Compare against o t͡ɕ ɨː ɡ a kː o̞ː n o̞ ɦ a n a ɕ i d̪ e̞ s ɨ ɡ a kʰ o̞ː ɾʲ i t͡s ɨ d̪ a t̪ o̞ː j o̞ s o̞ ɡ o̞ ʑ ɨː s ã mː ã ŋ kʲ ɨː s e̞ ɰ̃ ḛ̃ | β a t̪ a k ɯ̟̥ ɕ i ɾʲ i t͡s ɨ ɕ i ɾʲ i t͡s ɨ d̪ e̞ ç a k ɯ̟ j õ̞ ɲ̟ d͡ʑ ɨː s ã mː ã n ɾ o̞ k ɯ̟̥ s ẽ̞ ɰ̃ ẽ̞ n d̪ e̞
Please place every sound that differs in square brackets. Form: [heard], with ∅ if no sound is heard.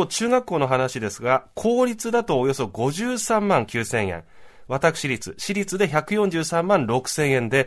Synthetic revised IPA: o t͡ɕ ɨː ɡ a kː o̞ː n o̞ ɦ a n a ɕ i d̪ e̞ s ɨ ɡ a kʰ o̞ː ɾʲ i t͡s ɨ d̪ a t̪ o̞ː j o̞ s o̞ ɡ o̞ ʑ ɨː s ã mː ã ŋ kʲ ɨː s [ẽ̞] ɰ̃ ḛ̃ | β a t̪ a k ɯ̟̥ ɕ i ɾʲ i t͡s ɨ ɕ i ɾʲ i t͡s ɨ d̪ e̞ ç a k ɯ̟ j õ̞ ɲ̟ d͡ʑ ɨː s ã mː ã n ɾ o̞ k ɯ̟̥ s ẽ̞ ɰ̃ ẽ̞ n d̪ e̞